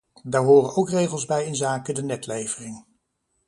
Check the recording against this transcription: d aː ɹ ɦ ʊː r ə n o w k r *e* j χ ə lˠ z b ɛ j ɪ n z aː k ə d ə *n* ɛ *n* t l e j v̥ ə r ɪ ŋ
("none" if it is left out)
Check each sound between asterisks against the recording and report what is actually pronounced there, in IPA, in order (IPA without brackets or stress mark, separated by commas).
e, n, none